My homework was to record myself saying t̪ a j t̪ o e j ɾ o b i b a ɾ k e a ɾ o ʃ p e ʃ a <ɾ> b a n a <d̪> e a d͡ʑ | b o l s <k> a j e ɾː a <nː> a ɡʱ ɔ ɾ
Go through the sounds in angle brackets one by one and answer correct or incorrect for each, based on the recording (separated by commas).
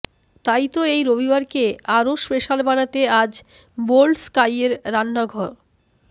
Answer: incorrect, incorrect, correct, correct